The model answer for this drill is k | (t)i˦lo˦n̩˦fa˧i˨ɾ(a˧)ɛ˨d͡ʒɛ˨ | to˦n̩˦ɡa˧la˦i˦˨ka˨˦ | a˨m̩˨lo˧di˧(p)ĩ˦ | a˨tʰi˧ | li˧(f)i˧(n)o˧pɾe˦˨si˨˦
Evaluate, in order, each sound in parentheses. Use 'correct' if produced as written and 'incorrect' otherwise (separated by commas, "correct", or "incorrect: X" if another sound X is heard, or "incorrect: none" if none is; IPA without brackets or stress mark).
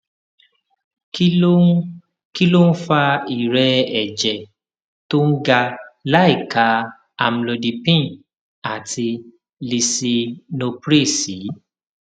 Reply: incorrect: k, incorrect: ɛ˧, correct, incorrect: s, correct